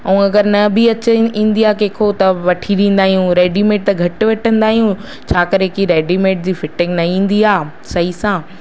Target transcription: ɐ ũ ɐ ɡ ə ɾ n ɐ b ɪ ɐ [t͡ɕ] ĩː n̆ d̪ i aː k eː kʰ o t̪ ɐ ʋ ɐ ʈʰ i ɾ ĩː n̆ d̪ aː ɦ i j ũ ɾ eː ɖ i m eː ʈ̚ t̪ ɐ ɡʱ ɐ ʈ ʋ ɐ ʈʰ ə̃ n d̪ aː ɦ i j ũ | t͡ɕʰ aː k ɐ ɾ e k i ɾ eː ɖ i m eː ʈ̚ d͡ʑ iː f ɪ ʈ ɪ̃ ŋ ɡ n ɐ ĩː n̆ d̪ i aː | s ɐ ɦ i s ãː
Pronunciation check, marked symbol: correct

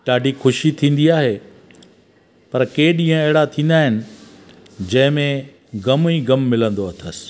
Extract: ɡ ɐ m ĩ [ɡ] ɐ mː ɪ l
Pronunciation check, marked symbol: correct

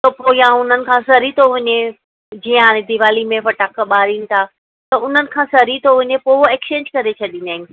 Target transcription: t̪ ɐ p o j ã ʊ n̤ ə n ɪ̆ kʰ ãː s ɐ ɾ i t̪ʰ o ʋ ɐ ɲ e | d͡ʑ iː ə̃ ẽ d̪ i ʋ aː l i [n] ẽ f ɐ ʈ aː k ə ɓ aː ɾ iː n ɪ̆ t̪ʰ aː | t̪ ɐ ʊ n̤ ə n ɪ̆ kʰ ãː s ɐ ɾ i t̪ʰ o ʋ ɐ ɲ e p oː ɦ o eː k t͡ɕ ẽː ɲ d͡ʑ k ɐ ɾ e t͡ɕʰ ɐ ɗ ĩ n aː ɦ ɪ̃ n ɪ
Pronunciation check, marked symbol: incorrect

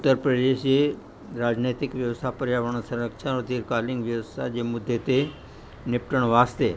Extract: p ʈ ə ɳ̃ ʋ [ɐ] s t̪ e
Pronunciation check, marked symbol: incorrect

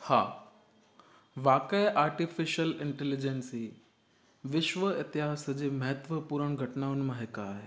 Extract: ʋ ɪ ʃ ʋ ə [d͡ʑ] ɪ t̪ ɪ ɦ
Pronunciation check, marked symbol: incorrect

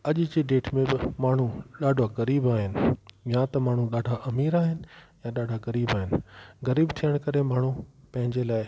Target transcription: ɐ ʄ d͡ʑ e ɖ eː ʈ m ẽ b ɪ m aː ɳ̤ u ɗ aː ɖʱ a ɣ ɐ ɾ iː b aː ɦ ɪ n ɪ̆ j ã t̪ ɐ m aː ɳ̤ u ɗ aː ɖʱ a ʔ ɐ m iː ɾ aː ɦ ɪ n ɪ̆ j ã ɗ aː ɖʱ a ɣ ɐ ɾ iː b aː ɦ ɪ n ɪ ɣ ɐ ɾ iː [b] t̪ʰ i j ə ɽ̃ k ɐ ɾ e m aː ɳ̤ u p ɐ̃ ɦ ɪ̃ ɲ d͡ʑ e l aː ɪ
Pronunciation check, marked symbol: correct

